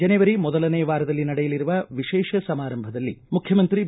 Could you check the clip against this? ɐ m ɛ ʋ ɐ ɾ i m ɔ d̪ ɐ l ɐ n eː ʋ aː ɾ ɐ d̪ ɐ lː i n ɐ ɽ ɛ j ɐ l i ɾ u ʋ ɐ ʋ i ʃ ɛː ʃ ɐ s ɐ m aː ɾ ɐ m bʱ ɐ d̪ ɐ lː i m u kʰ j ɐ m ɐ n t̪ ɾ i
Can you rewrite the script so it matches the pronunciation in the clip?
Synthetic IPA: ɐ n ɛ ʋ ɐ ɾ i m ɔ d̪ ɐ l ɐ n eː ʋ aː ɾ ɐ d̪ ɐ lː i n ɐ ɽ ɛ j ɐ l i ɾ u ʋ ɐ ʋ i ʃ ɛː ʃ ɐ s ɐ m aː ɾ ɐ m bʱ ɐ d̪ ɐ lː i m u kʰ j ɐ m ɐ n t̪ ɾ i

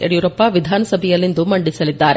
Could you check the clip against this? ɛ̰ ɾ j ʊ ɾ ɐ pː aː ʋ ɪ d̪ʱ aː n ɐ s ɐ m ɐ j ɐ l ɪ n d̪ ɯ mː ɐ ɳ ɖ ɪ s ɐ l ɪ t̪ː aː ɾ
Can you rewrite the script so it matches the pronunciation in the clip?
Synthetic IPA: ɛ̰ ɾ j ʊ ɾ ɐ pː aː ʋ ɪ d̪ʱ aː n ɐ s ɐ b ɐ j ɐ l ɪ n d̪ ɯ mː ɐ ɳ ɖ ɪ s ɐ l ɪ t̪ː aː ɾ

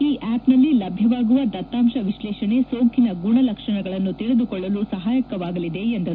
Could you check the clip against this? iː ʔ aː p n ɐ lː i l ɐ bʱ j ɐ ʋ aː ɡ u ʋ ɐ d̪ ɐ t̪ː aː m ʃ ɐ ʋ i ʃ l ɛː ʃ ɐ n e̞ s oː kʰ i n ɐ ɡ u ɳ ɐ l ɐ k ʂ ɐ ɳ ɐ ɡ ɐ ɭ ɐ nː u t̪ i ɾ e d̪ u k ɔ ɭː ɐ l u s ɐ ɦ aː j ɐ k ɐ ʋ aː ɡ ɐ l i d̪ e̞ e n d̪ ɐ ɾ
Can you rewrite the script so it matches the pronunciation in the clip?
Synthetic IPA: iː ʔ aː p n ɐ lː i l ɐ bʱ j ɐ ʋ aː ɡ u ʋ ɐ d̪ ɐ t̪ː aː m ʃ ɐ ʋ i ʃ l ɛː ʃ ɐ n e̞ s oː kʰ i n ɐ ɡ u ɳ ɐ l ɐ k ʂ ɐ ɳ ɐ ɡ ɐ ɭ ɐ nː u t̪ i ɭ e d̪ u k ɔ ɭː ɐ l u s ɐ ɦ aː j ɐ k ɐ ʋ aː ɡ ɐ l i d̪ e̞ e n d̪ ɐ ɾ

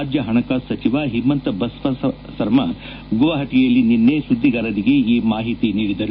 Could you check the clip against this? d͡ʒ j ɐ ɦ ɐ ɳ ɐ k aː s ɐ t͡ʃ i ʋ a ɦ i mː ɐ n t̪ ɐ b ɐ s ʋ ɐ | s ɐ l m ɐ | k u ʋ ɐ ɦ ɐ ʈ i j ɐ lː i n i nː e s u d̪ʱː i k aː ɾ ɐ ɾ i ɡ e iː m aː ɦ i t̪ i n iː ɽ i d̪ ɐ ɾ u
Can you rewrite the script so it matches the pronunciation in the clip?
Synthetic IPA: d͡ʒ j ɐ ɦ ɐ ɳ ɐ k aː s ɐ t͡ʃ i ʋ a ɦ i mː ɐ n t̪ ɐ b ɐ s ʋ ɐ | s ɐ ɾ m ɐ | ɡ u ʋ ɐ ɦ ɐ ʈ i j ɐ lː i n i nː e s u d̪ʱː i ɡ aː ɾ ɐ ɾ i ɡ e iː m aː ɦ i t̪ i n iː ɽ i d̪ ɐ ɾ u

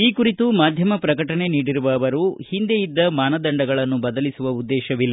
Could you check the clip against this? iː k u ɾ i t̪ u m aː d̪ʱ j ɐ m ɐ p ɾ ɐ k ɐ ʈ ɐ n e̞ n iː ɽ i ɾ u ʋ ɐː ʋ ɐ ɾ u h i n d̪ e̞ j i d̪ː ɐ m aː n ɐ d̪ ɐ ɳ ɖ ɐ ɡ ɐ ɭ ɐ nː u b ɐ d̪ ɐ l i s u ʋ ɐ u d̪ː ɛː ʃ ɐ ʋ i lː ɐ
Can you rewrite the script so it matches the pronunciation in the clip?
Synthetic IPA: iː k u ɾ i t̪ u m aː d̪ʱ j ɐ m ɐ p ɾ ɐ k ɐ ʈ ɐ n e̞ n iː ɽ i ɾ u ʋ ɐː ʋ ɐ ɾ u h i n d̪ e̞ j i d̪ː ɐ m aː n ɐ d̪ ɐ ɳ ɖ ɐ ɡ ɐ ɭ ɐ nː u b ɐ d̪ ɐ l i s u ʋ ɐ u d̪ː ɛː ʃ ɐ ʋ i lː ɐ

